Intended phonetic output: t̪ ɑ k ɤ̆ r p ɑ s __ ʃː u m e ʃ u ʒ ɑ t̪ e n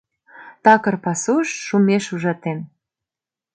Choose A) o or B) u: B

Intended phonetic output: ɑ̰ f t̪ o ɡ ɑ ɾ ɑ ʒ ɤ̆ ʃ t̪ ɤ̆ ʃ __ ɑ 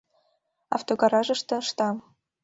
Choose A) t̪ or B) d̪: A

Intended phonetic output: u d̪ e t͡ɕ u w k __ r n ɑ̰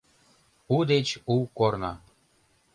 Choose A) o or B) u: A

